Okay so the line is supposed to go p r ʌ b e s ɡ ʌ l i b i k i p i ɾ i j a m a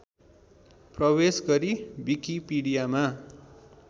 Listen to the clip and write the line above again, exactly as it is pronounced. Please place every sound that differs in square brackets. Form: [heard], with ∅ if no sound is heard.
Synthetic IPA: p r ʌ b e s ɡ ʌ [ɾ] i b i k i p i [ɽ] i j a m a

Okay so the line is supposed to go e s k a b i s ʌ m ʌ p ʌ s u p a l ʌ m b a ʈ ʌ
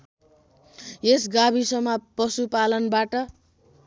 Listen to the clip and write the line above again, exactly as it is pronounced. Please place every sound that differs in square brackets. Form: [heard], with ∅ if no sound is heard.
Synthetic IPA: e s [ɡ] a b i s ʌ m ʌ p ʌ s u p a l ʌ [n] b a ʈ ʌ

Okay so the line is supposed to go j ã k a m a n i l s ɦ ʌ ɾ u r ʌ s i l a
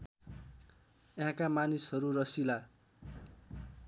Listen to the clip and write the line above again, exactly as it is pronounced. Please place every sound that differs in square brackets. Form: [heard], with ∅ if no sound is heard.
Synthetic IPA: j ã k a m a n i [∅] s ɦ ʌ ɾ u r ʌ s i l a

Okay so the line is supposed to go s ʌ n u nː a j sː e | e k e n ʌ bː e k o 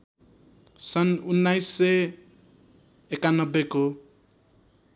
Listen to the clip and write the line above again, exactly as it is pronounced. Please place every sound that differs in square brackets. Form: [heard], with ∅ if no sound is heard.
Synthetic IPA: s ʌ n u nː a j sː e | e k [a] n ʌ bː e k o

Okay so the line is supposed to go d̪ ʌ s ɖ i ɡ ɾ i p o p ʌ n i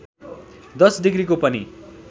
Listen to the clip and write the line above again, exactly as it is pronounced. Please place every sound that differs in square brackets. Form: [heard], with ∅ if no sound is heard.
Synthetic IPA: d̪ ʌ s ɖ i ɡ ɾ i [k] o p ʌ n i

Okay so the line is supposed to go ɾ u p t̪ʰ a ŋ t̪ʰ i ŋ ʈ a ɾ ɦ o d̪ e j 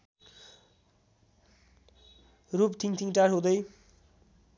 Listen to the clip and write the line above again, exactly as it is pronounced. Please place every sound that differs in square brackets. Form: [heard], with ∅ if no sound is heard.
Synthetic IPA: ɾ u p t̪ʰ [i] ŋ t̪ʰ i ŋ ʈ a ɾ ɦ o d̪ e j

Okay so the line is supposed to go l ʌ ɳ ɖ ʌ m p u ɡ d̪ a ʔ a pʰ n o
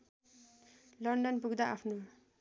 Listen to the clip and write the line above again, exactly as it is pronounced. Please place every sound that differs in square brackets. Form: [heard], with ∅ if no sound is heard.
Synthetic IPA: l ʌ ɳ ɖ ʌ [n] p u ɡ d̪ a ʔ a pʰ n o

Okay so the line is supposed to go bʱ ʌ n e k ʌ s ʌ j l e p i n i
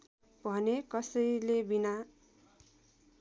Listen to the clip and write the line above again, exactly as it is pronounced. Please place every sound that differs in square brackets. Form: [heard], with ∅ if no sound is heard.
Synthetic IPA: bʱ ʌ n e k ʌ s ʌ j l e [b] i n [a]

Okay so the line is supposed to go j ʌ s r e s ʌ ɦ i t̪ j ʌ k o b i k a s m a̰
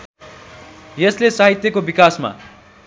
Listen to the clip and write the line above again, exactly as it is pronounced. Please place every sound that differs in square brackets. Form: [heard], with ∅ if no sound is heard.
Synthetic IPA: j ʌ s [l] e s [a] ɦ i t̪ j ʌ k o b i k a s m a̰

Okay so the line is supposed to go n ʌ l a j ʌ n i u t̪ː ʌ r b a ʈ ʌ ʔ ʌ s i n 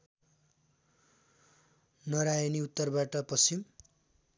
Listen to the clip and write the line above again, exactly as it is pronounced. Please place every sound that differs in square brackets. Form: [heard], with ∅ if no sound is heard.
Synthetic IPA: n ʌ [ɾ] a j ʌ n i u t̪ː ʌ r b a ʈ ʌ [p] ʌ s i [m]

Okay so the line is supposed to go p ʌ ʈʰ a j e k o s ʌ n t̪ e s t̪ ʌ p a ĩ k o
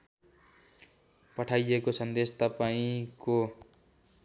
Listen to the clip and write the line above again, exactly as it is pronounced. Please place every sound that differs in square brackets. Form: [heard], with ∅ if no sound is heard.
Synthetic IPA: p ʌ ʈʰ a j e k o s ʌ n [d̪] e s t̪ ʌ p a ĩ k o

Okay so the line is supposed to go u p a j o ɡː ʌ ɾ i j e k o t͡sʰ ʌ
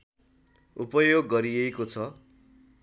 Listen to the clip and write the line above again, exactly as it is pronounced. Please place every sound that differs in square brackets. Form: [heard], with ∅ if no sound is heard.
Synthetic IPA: u p [ʌ] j o ɡː ʌ ɾ i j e k o t͡sʰ ʌ

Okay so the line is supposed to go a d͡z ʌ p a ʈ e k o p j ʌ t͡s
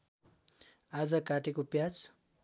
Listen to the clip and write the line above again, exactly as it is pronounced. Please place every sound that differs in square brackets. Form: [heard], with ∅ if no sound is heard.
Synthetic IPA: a d͡z ʌ [k] a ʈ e k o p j [a] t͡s

